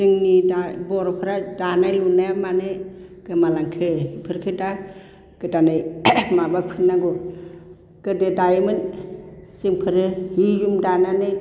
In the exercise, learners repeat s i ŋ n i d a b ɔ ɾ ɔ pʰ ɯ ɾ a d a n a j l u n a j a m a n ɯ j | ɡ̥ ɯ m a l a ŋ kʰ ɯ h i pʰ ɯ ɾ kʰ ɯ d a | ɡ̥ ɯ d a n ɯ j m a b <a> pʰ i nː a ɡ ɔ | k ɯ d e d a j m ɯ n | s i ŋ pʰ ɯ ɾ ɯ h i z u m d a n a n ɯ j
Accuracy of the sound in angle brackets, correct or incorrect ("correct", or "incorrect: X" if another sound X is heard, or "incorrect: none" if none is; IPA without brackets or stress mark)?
correct